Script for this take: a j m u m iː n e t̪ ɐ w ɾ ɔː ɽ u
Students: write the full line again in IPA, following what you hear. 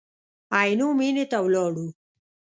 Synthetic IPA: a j n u m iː n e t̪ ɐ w l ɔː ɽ u